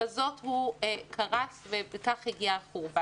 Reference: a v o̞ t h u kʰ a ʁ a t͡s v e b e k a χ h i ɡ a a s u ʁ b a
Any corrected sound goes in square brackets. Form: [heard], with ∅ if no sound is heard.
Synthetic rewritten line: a [z] o̞ t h u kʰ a ʁ a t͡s v e b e k a χ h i ɡ [i] a [χ] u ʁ b a